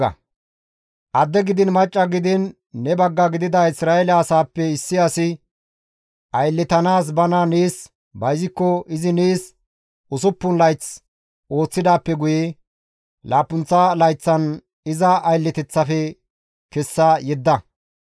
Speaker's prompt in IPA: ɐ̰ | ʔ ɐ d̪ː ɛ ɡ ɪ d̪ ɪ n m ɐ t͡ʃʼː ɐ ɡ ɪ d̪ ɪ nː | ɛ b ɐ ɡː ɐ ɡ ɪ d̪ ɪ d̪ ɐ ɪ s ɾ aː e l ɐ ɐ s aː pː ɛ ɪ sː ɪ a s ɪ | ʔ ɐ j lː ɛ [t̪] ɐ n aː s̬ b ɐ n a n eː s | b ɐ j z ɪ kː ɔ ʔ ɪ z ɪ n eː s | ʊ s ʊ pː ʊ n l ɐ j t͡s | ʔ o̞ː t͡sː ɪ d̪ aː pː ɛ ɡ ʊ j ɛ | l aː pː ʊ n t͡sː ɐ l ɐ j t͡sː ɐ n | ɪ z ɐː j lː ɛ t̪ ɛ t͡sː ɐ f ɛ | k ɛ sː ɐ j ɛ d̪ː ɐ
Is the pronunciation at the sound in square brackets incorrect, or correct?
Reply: correct